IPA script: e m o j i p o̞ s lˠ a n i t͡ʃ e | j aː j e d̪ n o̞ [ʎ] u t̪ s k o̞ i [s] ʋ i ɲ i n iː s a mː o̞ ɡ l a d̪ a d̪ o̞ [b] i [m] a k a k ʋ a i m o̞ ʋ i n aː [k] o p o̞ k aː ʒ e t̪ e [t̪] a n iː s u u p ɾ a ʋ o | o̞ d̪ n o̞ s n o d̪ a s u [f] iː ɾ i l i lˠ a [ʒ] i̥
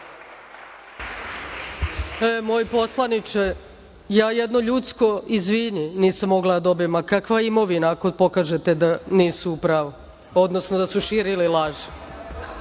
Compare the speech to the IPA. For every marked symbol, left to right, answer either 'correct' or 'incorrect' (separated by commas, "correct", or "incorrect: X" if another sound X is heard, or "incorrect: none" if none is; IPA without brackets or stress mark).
correct, incorrect: z, correct, correct, correct, incorrect: d̪, incorrect: ʃ, correct